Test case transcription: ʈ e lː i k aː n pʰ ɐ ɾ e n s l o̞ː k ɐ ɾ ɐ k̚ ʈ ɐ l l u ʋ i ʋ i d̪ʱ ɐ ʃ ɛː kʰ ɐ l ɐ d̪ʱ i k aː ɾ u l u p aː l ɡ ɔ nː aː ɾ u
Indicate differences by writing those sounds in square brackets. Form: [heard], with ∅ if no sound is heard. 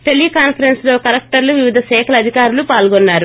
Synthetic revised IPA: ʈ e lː i k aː n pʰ ɐ ɾ e n s l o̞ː k ɐ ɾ ɐ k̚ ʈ ɐ [ɾ] l u ʋ i ʋ i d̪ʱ ɐ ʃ ɛː kʰ ɐ l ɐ d̪ʱ i k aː ɾ u l u p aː l ɡ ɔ nː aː ɾ u